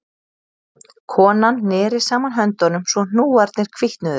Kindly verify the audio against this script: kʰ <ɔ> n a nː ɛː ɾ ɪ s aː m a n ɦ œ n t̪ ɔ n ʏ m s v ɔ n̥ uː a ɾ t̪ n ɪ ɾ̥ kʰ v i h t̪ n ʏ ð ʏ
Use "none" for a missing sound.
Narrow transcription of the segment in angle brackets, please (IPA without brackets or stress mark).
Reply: ɔː